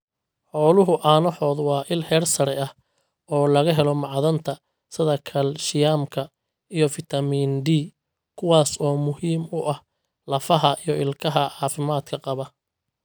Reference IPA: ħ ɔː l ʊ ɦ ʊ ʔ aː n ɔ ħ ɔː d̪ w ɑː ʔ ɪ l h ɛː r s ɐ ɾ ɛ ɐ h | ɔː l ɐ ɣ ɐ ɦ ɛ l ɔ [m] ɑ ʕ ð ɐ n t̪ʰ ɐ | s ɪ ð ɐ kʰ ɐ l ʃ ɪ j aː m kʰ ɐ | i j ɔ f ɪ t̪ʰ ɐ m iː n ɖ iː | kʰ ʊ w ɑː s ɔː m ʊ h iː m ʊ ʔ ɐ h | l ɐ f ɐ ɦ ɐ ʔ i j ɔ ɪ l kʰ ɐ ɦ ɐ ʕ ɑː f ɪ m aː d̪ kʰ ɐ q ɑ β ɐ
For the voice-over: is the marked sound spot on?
yes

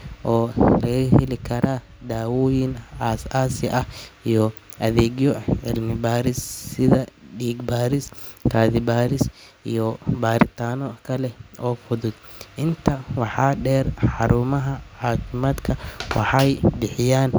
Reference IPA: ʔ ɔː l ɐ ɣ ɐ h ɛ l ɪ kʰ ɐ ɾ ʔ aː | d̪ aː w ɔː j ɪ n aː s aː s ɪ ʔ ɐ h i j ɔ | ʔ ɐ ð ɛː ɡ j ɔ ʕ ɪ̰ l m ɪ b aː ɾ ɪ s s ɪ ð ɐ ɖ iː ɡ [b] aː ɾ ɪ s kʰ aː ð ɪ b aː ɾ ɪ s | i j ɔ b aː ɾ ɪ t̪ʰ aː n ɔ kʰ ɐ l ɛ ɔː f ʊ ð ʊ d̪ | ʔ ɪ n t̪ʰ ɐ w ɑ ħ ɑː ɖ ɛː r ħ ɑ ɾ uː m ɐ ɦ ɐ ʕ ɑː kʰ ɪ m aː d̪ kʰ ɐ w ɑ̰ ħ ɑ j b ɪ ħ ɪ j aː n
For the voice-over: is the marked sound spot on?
yes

